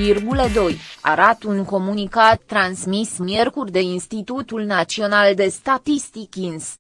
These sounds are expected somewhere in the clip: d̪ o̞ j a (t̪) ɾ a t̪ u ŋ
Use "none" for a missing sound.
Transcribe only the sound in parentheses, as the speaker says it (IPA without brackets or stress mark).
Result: none